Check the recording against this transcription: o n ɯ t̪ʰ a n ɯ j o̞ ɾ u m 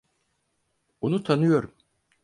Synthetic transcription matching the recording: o n u t̪ʰ a n ɯ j o̞ ɾ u m

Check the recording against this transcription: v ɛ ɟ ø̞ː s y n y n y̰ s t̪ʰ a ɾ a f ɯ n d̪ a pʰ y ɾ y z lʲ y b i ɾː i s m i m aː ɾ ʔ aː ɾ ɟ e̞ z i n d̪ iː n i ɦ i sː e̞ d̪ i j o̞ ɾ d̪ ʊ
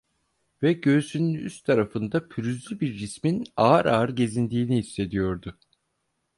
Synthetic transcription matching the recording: v ɛ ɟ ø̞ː s y n y n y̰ s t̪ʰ a ɾ a f ɯ n d̪ a pʰ y ɾ y z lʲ y b i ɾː i s m i n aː ɾ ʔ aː ɾ ɟ e̞ z i n d̪ iː n i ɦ i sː e̞ d̪ i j o̞ ɾ d̪ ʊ

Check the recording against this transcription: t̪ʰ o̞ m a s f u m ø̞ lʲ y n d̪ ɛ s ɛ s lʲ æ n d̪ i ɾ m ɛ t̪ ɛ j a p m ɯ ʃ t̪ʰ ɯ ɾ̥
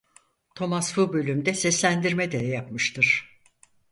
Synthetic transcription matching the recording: t̪ʰ o̞ m a s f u b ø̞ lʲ y m d̪ ɛ s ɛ s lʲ æ n d̪ i ɾ m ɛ d̪ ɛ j a p m ɯ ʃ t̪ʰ ɯ ɾ̥

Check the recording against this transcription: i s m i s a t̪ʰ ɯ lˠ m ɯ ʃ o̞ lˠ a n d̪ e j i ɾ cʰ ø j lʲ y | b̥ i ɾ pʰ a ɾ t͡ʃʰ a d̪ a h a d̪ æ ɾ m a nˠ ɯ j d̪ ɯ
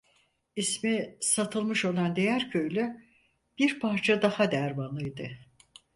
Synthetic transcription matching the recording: i s m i s a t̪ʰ ɯ lˠ m ɯ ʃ o̞ lˠ a n d̪ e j æ ɾ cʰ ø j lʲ y | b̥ i ɾ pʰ a ɾ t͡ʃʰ a d̪ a h a d̪ æ ɾ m a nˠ ɯ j d̪ ɯ

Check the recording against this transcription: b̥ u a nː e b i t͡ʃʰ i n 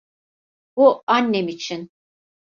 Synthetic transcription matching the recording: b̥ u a nː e m i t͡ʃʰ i n

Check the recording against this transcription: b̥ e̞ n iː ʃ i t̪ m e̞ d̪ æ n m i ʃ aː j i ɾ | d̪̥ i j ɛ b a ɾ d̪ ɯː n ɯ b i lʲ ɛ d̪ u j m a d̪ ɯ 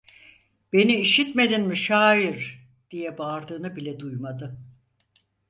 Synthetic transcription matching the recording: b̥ e̞ n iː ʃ i t̪ m e̞ d̪ i n m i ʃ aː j i ɾ | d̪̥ i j ɛ b a ɾ d̪ ɯː n ɯ b i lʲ ɛ d̪ u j m a d̪ ɯ

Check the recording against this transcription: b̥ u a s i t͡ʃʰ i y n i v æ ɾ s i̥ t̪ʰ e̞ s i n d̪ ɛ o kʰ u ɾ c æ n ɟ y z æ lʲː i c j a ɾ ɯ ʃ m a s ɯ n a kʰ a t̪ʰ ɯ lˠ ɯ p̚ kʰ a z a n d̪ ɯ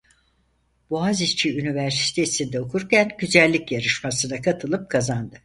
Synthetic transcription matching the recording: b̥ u a z i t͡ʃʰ i y n i v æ ɾ s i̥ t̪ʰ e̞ s i n d̪ ɛ o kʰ u ɾ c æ n ɟ y z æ lʲː i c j a ɾ ɯ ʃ m a s ɯ n a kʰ a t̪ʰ ɯ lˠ ɯ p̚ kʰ a z a n d̪ ɯ

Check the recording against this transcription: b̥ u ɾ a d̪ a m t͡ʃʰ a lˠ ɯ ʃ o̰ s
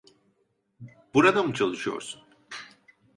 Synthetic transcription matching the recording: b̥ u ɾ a d̪ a m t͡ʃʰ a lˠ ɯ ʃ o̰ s

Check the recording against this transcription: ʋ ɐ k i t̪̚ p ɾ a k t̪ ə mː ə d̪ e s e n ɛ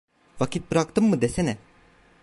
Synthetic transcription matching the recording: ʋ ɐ k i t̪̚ p ɾ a k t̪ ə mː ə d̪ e s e n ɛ

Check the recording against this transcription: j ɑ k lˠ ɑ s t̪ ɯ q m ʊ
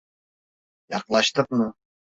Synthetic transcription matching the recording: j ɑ q lˠ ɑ ʃ t̪ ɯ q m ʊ

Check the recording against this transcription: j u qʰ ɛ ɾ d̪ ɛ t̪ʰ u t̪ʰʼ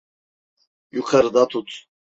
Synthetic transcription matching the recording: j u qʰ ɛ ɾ d̪ a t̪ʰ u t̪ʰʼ

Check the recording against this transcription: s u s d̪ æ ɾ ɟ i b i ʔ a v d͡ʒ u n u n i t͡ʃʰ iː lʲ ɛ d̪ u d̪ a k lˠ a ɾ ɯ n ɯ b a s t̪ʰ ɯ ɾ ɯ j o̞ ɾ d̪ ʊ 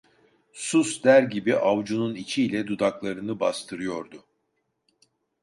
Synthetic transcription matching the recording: s u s d̪ æ ɾ ɟ i b i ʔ a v d͡ʒ u n u n i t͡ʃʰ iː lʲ ɛ d̪ u d̪ a k lˠ a ɾ ɯ n ɯ b a s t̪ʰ ɯ ɾ ɯ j o̞ ɾ d̪ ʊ

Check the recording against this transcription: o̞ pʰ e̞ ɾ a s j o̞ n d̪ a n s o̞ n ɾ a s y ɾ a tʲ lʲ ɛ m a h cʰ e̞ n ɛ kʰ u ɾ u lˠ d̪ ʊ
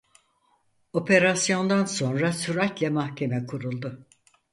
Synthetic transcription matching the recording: o̞ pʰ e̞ ɾ a s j o̞ n d̪ a n s o̞ n ɾ a s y ɾ a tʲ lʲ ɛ m a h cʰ e̞ m ɛ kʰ u ɾ u lˠ d̪ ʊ

